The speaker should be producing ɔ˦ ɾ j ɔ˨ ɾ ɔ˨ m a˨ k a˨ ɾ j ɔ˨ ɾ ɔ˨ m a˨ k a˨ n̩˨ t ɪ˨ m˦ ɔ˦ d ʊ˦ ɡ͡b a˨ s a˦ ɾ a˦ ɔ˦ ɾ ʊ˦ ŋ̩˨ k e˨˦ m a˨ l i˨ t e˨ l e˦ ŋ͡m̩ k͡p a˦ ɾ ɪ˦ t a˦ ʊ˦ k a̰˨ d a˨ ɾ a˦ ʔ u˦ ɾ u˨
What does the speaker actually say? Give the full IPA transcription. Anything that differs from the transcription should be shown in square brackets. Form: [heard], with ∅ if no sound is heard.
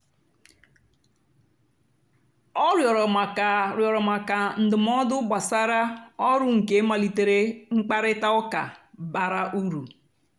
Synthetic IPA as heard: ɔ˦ ɾ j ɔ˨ ɾ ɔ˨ m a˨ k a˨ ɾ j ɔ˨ ɾ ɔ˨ m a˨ k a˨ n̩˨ [d] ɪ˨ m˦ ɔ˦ d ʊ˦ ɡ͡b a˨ s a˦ ɾ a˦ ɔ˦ ɾ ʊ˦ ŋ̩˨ k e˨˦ m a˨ l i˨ t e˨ [ɾ] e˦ ŋ͡m̩ k͡p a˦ ɾ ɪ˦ t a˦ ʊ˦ k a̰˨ [b] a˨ ɾ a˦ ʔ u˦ ɾ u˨